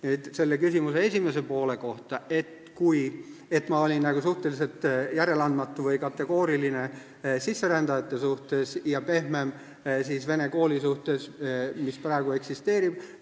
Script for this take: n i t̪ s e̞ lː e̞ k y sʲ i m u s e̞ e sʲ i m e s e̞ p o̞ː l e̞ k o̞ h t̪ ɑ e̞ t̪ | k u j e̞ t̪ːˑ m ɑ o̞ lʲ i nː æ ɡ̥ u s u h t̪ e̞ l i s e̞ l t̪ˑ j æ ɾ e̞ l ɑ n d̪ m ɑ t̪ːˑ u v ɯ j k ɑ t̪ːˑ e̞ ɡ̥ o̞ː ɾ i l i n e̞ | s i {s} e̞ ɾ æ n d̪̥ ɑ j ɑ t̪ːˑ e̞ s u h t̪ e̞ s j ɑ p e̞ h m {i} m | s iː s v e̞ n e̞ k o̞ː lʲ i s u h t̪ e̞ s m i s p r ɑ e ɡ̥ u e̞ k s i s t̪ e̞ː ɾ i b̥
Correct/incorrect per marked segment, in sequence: incorrect: sː, incorrect: e

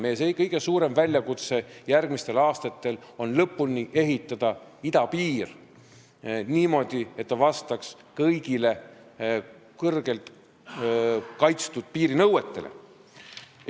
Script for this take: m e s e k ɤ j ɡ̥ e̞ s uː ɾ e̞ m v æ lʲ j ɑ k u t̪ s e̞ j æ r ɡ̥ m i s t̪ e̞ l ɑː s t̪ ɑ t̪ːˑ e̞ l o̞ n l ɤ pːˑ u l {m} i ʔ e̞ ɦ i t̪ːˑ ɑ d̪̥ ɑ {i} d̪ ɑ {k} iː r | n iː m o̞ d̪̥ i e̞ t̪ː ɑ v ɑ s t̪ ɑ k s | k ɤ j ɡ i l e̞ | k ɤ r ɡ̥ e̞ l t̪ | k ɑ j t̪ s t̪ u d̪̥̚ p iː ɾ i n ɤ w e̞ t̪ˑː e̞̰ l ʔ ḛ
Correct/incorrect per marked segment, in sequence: incorrect: n, correct, incorrect: p

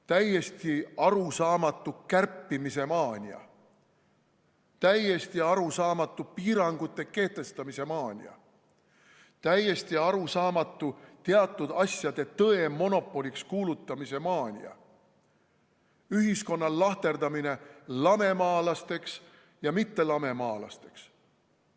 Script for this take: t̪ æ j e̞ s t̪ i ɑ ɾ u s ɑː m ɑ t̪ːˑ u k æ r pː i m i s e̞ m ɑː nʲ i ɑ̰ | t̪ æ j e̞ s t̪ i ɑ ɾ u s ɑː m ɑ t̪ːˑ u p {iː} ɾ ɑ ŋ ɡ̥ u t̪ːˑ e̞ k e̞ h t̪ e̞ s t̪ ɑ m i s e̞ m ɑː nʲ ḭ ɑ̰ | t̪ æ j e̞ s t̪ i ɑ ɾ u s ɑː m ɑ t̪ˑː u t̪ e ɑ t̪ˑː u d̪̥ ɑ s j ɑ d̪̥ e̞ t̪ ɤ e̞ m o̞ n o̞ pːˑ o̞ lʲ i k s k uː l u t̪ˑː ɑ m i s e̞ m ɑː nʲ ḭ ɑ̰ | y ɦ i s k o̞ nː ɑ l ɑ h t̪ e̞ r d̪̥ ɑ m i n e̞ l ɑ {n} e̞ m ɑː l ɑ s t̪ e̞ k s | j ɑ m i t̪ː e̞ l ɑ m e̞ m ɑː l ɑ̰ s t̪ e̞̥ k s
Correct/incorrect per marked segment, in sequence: correct, incorrect: m

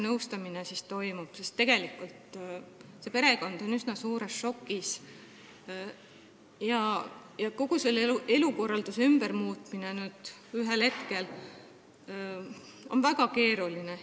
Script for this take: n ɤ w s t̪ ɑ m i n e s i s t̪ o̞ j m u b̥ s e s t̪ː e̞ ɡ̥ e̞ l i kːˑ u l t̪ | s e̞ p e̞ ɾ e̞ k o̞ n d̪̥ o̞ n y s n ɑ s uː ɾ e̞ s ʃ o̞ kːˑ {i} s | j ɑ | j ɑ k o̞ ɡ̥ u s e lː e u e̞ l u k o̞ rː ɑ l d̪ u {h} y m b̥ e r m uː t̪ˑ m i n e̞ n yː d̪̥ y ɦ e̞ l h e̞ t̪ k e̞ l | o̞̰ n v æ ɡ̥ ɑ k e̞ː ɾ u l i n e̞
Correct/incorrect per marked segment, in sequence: correct, incorrect: s

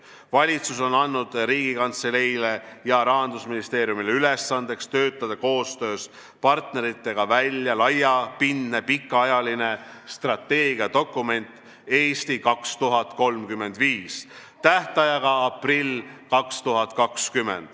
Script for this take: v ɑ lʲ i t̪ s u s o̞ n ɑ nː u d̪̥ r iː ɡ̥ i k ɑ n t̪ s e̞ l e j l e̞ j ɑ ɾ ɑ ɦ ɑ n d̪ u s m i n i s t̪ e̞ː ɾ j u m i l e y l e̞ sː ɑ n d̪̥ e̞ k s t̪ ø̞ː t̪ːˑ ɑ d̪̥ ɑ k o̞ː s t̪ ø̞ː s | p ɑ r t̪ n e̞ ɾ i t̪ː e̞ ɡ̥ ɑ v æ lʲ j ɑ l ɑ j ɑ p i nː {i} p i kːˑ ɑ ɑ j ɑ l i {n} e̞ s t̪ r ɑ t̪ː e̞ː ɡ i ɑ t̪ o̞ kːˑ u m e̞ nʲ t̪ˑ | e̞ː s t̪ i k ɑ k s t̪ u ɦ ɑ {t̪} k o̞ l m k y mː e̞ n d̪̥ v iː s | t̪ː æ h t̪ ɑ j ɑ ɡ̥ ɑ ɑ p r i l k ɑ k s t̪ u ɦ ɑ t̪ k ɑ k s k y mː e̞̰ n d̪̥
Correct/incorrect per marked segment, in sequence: incorrect: e, correct, correct

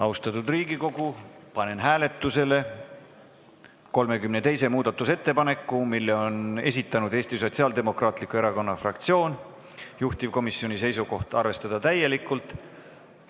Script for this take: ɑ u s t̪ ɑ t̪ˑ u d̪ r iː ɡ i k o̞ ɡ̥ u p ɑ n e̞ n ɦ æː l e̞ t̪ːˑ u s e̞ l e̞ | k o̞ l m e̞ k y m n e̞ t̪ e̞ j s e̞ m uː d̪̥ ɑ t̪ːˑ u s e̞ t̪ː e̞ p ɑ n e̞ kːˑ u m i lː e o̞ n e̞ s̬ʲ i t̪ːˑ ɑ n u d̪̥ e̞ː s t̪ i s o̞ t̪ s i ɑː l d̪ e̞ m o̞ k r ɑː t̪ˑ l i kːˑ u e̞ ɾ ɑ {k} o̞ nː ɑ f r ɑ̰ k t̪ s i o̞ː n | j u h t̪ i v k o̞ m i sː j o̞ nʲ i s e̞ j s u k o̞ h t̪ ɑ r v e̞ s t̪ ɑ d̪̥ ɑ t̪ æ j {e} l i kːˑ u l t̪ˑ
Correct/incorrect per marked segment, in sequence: correct, correct

